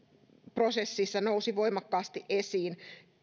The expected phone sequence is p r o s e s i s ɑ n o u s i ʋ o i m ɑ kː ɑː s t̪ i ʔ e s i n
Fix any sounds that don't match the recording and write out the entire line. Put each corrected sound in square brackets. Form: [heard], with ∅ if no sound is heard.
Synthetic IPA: p r o s e [sː] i [sː] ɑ n o u s i ʋ o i m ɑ kː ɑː s t̪ i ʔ e s [iː] n